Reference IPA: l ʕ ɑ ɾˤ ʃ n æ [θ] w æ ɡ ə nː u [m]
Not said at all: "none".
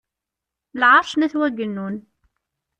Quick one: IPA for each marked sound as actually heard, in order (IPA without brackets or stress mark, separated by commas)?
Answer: θ, n